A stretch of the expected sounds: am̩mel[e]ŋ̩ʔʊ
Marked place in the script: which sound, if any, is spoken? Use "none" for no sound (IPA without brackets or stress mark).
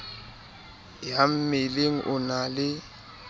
e